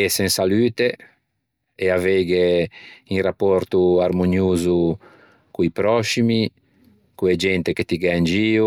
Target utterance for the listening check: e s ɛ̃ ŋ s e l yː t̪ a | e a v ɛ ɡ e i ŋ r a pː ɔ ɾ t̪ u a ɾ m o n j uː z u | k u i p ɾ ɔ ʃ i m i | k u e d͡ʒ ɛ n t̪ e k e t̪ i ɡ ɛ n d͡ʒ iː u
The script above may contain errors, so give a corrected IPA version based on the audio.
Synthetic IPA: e s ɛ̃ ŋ s a l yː t̪ e | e a v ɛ ɡ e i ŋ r a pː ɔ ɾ t̪ u a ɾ m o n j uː z u | k u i p ɾ ɔ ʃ i m i | k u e d͡ʒ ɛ n t̪ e k e t̪ i ɡ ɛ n d͡ʒ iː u